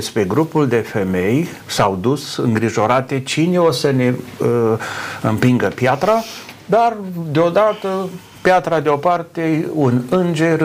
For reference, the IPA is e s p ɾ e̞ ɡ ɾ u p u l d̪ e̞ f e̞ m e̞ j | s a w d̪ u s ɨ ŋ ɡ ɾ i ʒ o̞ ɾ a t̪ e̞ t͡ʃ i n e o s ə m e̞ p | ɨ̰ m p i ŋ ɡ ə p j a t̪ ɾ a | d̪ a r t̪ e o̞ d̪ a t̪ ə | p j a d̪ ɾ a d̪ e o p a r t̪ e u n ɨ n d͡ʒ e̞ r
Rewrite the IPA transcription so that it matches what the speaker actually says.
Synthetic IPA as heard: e s p ɾ e̞ ɡ ɾ u p u l d̪ e̞ f e̞ m e̞ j | s a w d̪ u s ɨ ŋ ɡ ɾ i ʒ o̞ ɾ a t̪ e̞ t͡ʃ i n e o s ə n e̞ | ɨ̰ m p i ŋ ɡ ə p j a t̪ ɾ a | d̪ a r d̪ e o̞ d̪ a t̪ ə | p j a t̪ ɾ a d̪ e o p a r t̪ e u n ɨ n d͡ʒ e̞ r